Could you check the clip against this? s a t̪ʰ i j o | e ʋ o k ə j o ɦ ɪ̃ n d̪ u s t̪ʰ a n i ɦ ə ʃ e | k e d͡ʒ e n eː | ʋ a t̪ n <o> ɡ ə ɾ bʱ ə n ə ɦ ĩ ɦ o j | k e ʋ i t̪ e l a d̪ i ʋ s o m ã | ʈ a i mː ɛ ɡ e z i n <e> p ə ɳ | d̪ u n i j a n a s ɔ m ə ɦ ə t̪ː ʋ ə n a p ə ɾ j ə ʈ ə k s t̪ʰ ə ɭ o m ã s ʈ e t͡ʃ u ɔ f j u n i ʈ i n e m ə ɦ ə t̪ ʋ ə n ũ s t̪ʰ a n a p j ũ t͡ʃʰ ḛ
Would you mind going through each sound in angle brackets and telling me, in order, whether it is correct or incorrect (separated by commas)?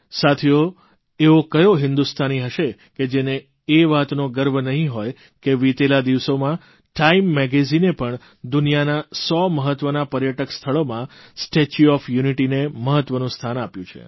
correct, correct